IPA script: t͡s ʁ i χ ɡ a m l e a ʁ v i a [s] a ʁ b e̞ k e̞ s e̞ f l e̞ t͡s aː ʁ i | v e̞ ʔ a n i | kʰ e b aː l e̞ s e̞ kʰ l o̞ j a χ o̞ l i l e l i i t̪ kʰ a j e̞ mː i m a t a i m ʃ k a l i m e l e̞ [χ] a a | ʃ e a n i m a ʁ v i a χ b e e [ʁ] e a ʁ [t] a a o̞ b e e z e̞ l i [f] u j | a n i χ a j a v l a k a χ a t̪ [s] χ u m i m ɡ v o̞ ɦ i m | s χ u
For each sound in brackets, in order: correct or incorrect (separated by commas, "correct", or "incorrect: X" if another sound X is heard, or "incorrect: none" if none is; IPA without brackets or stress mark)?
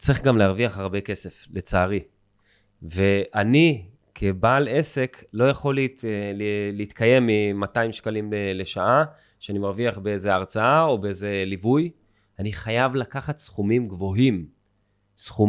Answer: incorrect: χ, incorrect: ʃ, incorrect: z, incorrect: t͡s, incorrect: v, correct